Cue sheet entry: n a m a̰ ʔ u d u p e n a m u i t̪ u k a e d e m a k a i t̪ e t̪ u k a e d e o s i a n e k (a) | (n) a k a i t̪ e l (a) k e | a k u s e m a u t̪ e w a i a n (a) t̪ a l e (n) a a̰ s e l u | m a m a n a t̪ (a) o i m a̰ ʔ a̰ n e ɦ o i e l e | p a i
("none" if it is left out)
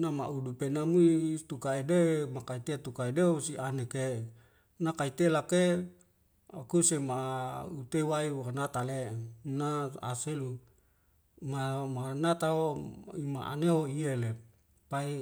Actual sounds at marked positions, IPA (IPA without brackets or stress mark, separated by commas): e, n, a, a, n, a